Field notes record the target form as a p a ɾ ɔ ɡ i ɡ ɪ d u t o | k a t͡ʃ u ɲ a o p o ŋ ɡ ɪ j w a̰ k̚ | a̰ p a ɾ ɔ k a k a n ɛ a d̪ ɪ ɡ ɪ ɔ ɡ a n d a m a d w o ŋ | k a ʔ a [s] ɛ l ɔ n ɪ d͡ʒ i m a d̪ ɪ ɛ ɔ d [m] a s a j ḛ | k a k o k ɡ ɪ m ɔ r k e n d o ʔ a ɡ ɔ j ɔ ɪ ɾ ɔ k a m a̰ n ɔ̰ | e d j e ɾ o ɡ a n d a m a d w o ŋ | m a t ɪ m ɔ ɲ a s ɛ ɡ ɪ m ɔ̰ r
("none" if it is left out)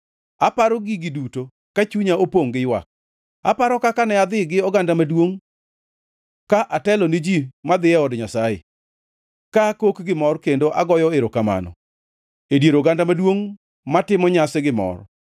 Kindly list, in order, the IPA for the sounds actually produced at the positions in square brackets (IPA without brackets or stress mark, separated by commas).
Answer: t, ɲ